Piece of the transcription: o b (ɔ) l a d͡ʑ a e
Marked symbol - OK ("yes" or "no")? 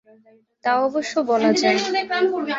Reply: yes